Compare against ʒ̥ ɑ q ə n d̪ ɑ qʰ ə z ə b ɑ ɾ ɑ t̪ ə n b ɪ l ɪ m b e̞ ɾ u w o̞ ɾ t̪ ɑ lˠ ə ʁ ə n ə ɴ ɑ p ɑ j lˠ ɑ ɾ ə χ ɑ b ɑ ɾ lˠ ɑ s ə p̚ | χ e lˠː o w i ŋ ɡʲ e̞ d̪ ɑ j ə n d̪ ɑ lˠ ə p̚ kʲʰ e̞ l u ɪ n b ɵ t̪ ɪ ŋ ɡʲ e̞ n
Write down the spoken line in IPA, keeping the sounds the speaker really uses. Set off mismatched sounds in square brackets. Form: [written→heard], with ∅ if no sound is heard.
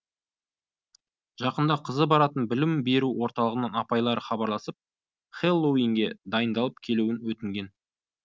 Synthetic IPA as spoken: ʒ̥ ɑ q ə n d̪ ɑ qʰ ə z ə b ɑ ɾ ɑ t̪ ə n b ɪ l ɪ m b e̞ ɾ u w o̞ ɾ t̪ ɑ lˠ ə ʁ ə n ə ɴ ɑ p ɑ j lˠ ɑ ɾ ə χ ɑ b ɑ ɾ lˠ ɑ s ə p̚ | χ e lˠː o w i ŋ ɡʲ e̞ d̪ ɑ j ə n d̪ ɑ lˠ ə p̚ kʲʰ e̞ l u ɪ n [b→w] ɵ t̪ ɪ ŋ ɡʲ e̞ n